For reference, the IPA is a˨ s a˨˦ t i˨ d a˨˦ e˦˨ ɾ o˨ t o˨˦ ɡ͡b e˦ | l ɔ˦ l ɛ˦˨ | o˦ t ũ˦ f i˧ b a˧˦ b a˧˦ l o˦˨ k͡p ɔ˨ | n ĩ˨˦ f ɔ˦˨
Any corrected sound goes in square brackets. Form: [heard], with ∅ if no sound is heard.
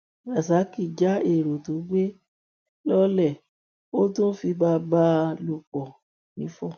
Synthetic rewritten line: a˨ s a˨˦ [k] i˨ [d͡ʒ] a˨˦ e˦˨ ɾ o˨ t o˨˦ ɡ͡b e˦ | l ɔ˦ l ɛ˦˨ | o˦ t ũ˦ f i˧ b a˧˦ b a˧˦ l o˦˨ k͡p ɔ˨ | n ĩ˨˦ f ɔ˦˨